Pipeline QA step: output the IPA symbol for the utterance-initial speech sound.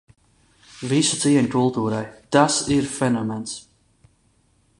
v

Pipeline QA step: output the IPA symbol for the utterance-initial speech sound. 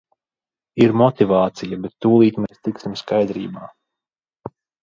i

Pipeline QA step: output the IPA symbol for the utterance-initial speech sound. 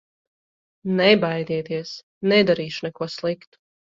n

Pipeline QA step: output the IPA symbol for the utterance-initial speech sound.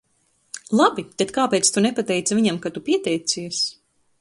lˠ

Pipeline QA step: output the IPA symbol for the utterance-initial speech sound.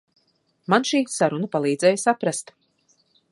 m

